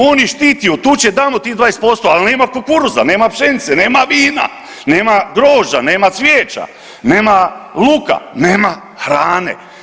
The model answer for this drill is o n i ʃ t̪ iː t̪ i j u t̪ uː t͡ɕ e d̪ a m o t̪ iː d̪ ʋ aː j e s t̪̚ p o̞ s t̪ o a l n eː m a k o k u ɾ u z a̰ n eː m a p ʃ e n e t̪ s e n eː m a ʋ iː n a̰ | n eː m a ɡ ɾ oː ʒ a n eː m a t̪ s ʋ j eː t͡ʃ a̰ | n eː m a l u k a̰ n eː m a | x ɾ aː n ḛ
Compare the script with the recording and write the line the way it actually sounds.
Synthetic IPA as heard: o n i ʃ t̪ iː t̪ i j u t̪ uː t͡ɕ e d̪ a m o t̪ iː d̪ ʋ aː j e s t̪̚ p o̞ s t̪ o a l n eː m a k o k u ɾ u z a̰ n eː m a p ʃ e n i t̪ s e n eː m a ʋ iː n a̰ | n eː m a ɡ ɾ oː ʒ a n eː m a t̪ s ʋ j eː t͡ʃ a̰ | n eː m a l u k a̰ n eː m a | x ɾ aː n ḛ